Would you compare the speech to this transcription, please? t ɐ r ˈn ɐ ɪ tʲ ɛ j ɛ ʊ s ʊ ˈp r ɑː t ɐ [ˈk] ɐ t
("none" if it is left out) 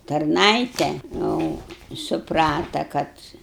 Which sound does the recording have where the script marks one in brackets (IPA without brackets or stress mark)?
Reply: k